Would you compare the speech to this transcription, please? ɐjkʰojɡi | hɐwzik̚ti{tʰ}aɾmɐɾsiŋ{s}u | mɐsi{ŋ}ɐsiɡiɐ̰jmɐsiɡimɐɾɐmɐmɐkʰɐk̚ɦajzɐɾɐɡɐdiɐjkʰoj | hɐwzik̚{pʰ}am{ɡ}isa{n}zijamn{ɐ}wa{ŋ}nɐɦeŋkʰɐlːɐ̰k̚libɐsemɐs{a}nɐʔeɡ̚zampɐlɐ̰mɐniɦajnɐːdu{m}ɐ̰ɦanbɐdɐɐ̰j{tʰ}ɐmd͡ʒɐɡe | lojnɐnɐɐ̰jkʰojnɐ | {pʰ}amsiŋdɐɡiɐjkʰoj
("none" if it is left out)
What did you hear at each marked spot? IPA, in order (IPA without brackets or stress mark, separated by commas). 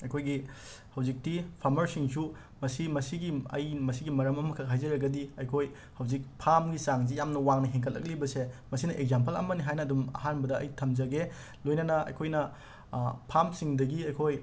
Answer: pʰ, s, m, pʰ, ɡ, ŋ, ɐ, ŋ, i, m, tʰ, pʰ